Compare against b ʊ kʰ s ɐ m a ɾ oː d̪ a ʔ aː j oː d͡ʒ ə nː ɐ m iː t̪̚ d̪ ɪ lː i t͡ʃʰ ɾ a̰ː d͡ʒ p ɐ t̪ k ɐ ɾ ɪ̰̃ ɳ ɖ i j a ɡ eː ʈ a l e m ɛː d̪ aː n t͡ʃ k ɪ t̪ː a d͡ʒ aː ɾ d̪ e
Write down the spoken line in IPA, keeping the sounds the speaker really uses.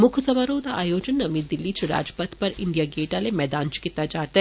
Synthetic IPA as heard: m ʊ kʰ s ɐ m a ɾ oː d̪ a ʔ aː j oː d͡ʒ ə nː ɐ m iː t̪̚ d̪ ɪ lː i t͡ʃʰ ɾ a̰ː d͡ʒ p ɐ t̪ p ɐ ɾ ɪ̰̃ ɳ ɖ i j a ɡ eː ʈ a l e m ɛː d̪ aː n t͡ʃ k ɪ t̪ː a d͡ʒ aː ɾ t̪ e

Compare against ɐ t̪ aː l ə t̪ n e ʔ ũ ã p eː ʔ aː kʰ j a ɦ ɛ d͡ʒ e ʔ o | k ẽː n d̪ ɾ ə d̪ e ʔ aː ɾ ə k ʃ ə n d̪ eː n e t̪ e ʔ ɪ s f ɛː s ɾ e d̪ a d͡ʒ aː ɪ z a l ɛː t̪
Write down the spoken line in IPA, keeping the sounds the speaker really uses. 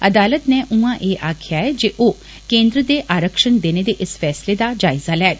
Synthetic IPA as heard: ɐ d̪ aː l ə t̪ n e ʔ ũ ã ʔ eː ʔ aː kʰ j a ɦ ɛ d͡ʒ e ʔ o | k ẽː n d̪ ɾ ə d̪ e ʔ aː ɾ ə k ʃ ə n d̪ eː n e d̪ e ʔ ɪ s f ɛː s l e d̪ a d͡ʒ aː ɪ z a l ɛː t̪

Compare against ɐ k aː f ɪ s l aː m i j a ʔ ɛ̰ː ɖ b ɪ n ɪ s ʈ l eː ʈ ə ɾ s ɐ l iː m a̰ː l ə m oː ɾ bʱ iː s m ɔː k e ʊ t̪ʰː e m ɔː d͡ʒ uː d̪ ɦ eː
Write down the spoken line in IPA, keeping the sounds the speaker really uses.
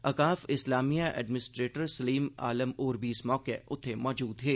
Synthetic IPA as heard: ɐ k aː f ɪ s l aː m i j a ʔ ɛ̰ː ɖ m ɪ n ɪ s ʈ ɾ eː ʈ ə ɾ s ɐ l iː m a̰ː l ə m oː ɾ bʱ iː s m ɔː k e ʊ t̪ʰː e m ɔː d͡ʒ uː d̪ ɦ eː

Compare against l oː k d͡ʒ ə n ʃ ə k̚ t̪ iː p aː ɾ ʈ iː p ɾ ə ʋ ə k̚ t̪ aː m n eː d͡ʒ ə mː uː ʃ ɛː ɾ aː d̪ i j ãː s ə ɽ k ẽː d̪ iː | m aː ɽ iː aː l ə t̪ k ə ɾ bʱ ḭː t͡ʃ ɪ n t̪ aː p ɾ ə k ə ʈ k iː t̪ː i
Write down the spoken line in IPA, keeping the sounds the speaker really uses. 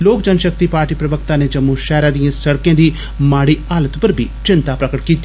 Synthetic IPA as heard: l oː k d͡ʒ ə n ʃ ə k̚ t̪ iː p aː ɾ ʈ iː p ɾ ə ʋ ə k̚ t̪ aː n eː d͡ʒ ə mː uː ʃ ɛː ɾ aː d̪ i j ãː s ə ɽ k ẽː d̪ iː | m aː ɽ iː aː l ə t̪ p ə ɾ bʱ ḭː t͡ʃ ɪ n t̪ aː p ɾ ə k ə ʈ k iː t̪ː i

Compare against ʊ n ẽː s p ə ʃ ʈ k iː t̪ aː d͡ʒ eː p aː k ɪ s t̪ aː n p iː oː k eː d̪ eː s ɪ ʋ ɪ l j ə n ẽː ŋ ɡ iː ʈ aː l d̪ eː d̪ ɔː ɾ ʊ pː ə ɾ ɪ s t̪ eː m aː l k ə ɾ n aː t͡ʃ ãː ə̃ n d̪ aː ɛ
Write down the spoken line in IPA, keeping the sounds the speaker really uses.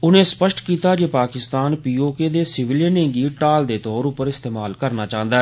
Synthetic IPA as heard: ʊ n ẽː s p ə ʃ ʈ k iː t̪ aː d͡ʒ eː p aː k ɪ s t̪ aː n p iː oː k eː d̪ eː s ɪ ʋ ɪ l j ə n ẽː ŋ ɡ iː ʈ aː l d̪ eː t̪ ɔː ɾ ʊ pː ə ɾ ɪ s t̪ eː m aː l k ə ɾ n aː t͡ʃ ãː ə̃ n d̪ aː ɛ

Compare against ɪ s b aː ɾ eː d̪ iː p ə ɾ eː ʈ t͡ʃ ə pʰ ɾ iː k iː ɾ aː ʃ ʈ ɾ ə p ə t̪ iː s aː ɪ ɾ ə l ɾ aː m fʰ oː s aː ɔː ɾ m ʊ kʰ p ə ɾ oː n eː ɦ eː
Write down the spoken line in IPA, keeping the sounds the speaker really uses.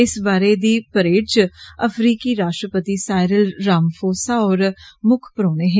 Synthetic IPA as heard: ɪ s b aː ɾ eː d̪ iː p ə ɾ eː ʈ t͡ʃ ə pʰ ɾ iː k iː ɾ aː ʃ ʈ ɾ ə p ə t̪ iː s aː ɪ ɾ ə l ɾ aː m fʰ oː s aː ɔː ɾ m ʊ kʰ p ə ɾ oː n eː ɦ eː

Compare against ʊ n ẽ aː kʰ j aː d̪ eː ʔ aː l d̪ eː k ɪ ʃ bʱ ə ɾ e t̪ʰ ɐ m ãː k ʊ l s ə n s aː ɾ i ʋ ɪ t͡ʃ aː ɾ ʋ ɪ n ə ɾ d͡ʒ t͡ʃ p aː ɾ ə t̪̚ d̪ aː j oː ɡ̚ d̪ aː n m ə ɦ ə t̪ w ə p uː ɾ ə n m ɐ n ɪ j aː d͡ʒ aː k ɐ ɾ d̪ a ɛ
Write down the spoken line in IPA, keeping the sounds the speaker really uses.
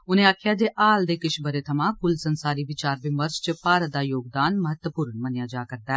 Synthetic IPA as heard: ʊ n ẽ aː kʰ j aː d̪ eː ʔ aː l d̪ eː k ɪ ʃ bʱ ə ɾ e t̪ʰ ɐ m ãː k ʊ l s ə n s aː ɾ i ʋ ɪ t͡ʃ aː ɾ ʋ ɪ m ə ɾ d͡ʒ t͡ʃ p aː ɾ ə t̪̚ d̪ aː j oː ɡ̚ d̪ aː n m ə ɦ ə t̪ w ə p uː ɾ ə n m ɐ n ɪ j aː d͡ʒ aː k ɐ ɾ d̪ a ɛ

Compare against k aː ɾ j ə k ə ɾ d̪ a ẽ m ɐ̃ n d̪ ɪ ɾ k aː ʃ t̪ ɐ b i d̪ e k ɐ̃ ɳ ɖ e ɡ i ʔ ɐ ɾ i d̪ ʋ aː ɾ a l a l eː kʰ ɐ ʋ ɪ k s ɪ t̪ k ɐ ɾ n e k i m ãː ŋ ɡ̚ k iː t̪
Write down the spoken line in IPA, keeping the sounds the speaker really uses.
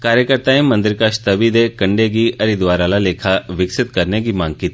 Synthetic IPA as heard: k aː ɾ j ə k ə ɾ t̪ a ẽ m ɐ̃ n d̪ ɪ ɾ k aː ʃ t̪ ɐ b i d̪ e k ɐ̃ ɳ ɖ e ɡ i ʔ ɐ ɾ i d̪ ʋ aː ɾ a l a l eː kʰ a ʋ ɪ k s ɪ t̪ k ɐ ɾ n e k i m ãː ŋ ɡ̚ k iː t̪

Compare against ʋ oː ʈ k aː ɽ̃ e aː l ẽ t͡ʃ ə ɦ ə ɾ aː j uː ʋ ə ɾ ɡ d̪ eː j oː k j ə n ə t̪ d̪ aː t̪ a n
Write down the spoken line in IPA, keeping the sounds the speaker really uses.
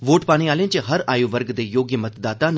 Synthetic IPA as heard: ʋ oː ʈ p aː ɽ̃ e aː l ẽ t͡ʃ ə ɦ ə ɾ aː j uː ʋ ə ɾ ɡ d̪ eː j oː ɡ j ə m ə t̪ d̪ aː t̪ a n

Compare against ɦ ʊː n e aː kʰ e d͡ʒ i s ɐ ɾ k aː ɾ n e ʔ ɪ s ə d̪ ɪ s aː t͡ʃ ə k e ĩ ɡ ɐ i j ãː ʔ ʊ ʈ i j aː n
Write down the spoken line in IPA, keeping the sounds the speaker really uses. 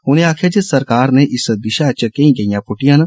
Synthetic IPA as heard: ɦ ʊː n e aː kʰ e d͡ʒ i s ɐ ɾ k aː ɾ n e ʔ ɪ s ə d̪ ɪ ʃ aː t͡ʃ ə k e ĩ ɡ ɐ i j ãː p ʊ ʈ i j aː n

